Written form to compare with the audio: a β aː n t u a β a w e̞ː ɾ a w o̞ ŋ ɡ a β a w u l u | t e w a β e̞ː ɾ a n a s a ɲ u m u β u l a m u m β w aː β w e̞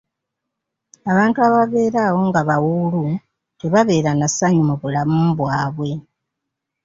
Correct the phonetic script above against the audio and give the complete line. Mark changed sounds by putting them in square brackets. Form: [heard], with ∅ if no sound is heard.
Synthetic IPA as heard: a β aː n t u a β a [β] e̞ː ɾ a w o̞ ŋ ɡ a β a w u l u | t e [β] a β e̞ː ɾ a n a s a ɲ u m u β u l a m u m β w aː β w e̞